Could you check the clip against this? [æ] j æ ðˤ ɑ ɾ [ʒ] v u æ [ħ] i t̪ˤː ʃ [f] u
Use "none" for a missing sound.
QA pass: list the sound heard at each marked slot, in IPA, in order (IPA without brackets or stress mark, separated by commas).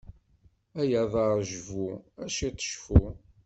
æ, ʒ, ʃ, f